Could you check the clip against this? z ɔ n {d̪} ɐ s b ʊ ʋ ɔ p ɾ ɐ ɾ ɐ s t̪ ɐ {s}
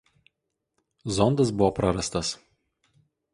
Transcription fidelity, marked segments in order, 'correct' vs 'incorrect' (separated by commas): correct, correct